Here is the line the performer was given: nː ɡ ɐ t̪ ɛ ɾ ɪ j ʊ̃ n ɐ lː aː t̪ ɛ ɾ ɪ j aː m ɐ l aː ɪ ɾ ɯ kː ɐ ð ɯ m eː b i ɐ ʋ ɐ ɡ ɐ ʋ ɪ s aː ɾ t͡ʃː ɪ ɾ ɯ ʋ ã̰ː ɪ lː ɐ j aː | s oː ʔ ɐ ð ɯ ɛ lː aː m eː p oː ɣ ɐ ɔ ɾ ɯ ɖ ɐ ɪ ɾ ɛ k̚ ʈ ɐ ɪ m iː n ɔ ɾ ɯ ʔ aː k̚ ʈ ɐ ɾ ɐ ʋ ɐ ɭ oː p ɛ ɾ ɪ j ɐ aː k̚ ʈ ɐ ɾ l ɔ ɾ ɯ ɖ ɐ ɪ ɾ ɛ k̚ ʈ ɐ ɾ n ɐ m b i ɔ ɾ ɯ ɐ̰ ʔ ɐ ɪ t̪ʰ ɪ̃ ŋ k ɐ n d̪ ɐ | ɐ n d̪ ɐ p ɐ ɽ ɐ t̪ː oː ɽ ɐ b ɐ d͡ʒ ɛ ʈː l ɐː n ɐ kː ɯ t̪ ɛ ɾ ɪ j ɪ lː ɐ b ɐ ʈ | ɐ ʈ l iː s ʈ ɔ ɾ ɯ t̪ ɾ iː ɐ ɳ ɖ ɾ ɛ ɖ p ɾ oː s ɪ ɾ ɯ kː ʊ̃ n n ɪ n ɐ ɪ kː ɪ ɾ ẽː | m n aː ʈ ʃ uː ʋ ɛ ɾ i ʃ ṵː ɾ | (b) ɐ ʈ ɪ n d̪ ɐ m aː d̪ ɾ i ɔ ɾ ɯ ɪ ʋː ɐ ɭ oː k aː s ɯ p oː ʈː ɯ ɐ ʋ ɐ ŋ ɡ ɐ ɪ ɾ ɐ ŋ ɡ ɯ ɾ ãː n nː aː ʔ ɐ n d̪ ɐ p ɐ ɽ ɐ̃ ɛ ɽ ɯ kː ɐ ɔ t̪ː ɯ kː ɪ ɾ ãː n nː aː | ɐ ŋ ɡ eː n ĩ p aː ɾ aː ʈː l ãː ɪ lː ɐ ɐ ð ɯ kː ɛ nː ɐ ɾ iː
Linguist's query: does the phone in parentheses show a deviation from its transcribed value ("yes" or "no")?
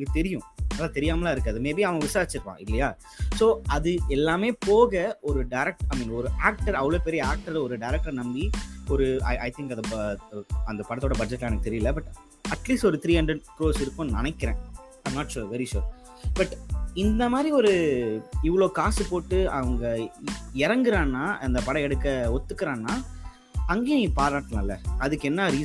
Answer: no